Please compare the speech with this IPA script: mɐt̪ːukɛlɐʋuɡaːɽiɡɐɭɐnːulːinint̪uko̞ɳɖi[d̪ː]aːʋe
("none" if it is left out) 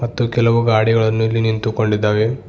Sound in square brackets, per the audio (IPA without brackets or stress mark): d̪ː